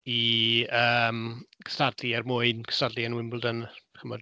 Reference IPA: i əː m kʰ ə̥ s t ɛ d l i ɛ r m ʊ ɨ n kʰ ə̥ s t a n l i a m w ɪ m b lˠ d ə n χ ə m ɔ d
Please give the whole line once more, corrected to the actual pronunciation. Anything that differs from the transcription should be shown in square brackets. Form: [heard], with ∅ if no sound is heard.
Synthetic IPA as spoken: i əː m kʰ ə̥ s t [a] d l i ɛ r m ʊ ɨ n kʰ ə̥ s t a [d] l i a [n] w ɪ m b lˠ d ə n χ ə m ɔ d